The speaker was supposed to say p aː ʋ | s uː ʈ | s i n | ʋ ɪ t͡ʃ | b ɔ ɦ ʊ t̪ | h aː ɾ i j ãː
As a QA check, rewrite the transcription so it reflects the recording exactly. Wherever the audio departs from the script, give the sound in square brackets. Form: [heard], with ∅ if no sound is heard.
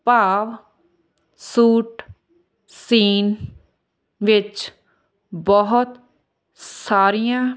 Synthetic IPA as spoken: p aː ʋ | s uː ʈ | s [iː] n | ʋ ɪ t͡ʃ | b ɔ ɦ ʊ t̪ | [s] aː ɾ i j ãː